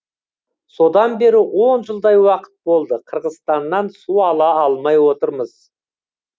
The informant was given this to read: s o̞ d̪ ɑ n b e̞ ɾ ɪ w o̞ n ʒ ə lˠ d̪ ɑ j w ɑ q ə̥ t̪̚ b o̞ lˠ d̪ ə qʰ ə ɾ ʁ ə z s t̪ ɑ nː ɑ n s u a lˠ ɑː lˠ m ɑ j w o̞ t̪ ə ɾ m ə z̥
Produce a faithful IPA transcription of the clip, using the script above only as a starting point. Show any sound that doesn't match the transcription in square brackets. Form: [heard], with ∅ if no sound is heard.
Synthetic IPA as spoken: s o̞ d̪ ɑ n b e̞ ɾ ɪ w o̞ n ʒ ə lˠ d̪ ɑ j w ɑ q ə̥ t̪̚ b o̞ lˠ d̪ ə qʰ ə ɾ ʁ ə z s t̪ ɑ nː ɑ n s u [ɑ] lˠ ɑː lˠ m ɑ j w o̞ t̪ ə ɾ m ə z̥